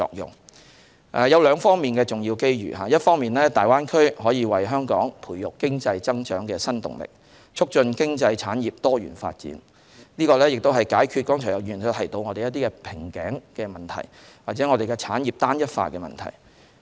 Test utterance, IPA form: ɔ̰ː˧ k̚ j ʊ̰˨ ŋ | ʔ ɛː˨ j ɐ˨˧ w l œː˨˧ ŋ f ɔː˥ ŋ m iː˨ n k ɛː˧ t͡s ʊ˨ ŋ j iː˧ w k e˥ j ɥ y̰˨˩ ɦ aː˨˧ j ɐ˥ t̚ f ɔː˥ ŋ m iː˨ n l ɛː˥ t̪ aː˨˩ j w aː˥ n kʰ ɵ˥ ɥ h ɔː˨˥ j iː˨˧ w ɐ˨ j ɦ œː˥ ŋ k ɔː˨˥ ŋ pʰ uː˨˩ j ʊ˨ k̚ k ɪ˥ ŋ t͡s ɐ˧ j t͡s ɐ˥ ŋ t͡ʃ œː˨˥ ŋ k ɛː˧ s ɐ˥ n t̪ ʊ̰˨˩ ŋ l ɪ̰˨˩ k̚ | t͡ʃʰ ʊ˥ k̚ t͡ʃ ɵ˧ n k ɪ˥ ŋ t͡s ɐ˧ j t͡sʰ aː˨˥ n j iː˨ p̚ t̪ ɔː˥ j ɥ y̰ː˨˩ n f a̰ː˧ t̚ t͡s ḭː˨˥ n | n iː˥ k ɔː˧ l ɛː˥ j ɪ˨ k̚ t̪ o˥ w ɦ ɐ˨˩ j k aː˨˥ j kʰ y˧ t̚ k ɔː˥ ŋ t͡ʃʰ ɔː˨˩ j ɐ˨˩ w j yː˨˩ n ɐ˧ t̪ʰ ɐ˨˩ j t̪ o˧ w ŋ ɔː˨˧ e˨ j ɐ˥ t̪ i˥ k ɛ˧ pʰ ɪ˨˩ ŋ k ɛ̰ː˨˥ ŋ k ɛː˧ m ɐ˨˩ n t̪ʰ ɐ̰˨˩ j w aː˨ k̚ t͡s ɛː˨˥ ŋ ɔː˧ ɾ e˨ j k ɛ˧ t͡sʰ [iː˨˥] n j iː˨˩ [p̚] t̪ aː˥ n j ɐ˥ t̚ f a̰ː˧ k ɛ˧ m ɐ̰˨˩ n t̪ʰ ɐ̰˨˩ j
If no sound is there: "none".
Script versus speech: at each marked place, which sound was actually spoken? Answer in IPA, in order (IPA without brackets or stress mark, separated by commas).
aː˨˥, p̚